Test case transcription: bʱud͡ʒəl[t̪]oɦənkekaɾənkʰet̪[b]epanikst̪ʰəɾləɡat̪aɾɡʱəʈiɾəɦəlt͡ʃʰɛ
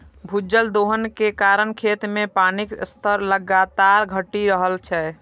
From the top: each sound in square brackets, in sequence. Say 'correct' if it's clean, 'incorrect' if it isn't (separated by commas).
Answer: incorrect, incorrect